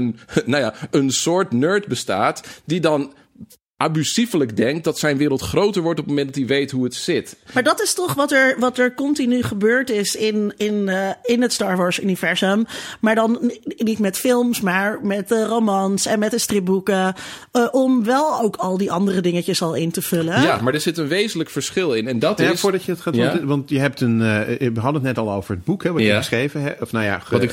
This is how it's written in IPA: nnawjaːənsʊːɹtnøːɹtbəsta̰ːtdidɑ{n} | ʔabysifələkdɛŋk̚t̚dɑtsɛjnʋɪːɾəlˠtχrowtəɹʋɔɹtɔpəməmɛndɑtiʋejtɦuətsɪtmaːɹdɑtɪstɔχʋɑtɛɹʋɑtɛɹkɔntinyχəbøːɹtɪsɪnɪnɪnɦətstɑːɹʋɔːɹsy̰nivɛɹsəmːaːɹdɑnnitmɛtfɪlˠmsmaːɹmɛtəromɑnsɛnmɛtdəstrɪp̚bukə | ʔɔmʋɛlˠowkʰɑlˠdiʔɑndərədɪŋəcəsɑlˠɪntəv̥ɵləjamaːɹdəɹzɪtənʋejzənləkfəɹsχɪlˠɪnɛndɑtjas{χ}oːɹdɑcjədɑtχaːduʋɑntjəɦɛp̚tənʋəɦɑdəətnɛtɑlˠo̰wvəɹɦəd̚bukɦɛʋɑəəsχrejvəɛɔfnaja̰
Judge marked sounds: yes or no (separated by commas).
yes, no